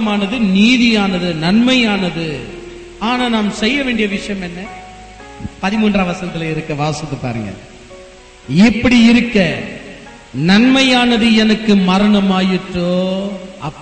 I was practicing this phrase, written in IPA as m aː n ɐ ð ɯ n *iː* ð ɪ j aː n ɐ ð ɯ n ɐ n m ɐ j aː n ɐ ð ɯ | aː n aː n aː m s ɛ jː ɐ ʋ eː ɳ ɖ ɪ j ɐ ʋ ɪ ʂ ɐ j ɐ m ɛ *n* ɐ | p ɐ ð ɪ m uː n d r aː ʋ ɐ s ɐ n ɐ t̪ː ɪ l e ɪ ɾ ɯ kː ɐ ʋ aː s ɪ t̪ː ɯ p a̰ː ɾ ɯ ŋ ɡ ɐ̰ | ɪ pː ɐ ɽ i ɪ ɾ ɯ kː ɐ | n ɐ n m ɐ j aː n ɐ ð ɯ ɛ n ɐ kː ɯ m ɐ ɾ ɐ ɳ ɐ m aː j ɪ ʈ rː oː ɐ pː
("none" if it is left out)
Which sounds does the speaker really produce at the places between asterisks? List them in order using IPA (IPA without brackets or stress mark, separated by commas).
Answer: iː, nː